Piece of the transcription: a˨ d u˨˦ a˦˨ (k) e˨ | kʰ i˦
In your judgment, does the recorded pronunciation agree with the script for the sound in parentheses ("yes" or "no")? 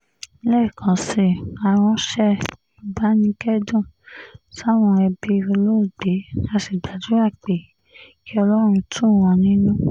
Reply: no